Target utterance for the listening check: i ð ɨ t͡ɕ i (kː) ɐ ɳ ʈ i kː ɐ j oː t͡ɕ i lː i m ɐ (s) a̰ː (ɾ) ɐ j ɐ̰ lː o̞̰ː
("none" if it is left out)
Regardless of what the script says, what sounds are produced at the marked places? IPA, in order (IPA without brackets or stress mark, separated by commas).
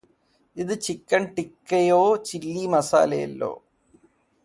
kː, s, l